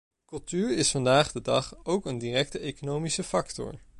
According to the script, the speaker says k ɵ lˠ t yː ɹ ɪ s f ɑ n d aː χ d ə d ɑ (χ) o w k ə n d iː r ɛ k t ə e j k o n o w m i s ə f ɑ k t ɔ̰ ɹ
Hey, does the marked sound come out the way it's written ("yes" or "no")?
yes